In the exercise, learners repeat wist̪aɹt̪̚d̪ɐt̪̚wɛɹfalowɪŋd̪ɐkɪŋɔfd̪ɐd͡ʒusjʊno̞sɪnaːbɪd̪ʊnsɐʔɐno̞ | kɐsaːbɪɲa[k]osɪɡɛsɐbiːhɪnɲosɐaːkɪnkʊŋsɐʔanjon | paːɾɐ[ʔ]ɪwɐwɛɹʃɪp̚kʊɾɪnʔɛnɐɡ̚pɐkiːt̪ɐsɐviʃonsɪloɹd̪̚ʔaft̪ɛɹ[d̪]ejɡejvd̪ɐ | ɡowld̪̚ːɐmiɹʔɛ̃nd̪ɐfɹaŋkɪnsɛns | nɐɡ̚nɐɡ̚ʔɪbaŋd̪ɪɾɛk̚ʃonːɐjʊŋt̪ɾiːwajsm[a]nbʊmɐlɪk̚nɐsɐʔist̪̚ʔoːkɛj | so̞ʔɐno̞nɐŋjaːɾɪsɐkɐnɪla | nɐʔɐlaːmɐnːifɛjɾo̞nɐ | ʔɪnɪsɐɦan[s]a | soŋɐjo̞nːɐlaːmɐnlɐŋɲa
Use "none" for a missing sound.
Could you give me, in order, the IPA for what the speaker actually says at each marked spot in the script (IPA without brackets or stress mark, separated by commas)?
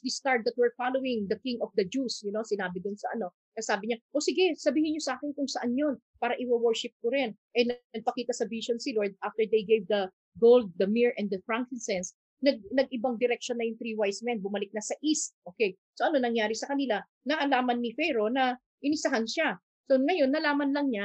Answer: ʔ, ʔ, d̪, ɛ, ʃ